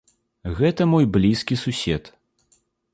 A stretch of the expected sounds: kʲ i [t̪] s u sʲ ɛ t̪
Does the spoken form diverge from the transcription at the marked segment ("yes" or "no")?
yes